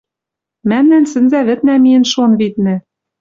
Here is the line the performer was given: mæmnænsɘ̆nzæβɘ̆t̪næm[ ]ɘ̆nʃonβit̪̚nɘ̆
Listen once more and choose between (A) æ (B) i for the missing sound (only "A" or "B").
B